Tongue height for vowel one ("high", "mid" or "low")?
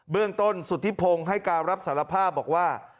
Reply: high